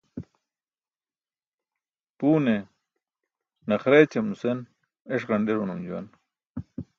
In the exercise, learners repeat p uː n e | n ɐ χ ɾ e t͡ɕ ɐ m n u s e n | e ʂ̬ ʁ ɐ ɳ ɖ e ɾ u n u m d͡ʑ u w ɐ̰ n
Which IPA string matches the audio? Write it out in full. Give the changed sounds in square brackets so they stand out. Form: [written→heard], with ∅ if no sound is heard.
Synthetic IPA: p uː n e | n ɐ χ ɾ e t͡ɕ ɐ m n u s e n | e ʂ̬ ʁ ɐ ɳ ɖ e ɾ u n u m d͡ʑ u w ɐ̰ n